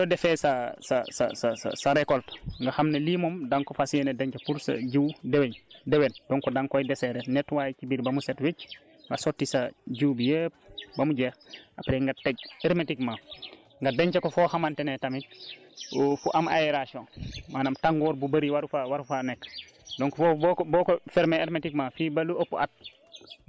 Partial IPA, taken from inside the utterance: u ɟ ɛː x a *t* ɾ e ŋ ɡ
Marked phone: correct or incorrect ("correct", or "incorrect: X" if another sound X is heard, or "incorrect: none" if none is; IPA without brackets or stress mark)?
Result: incorrect: p